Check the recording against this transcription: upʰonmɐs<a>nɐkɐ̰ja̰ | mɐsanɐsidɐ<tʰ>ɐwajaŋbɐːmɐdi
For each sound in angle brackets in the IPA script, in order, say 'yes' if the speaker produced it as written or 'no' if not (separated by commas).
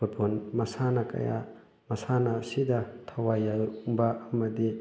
yes, yes